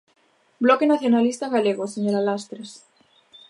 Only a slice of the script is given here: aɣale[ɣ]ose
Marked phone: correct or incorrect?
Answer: correct